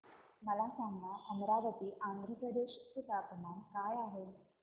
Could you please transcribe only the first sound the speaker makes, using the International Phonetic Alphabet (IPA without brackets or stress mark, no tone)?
m